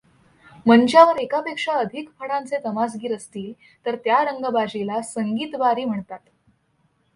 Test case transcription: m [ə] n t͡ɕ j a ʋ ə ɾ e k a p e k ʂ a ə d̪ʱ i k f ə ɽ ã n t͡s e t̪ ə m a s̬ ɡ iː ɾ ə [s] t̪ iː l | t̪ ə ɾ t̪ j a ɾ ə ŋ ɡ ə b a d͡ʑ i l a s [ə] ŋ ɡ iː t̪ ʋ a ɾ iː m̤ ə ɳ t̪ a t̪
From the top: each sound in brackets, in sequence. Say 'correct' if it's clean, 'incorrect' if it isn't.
correct, correct, correct

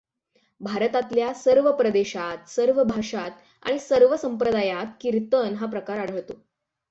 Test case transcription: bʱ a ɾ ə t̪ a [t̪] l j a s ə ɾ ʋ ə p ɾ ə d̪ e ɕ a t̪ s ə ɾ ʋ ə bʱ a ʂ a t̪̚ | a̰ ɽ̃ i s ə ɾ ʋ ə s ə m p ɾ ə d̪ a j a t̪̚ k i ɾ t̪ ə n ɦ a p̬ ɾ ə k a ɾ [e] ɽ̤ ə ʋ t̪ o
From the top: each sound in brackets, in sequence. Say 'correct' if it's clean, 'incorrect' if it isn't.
correct, incorrect: a

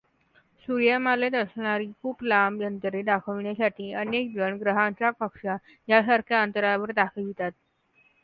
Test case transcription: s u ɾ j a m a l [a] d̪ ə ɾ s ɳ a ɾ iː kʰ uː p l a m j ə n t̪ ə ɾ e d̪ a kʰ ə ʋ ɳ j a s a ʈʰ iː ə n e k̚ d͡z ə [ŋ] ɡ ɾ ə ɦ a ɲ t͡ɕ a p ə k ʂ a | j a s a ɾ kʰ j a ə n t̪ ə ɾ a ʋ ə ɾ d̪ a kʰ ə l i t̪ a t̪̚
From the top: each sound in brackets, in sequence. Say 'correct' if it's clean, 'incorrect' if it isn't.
incorrect: e, incorrect: ɳ

